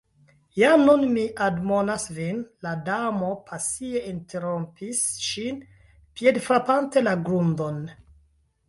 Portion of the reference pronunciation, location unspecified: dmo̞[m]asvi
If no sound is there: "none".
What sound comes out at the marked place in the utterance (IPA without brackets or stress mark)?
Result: n